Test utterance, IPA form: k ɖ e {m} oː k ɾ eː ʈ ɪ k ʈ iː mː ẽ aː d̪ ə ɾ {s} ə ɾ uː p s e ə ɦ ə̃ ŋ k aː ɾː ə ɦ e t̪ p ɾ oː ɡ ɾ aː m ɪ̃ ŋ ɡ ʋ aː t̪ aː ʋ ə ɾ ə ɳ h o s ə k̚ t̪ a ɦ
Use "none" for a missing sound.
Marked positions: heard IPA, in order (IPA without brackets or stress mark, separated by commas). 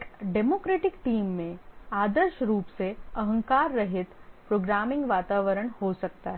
m, ʃ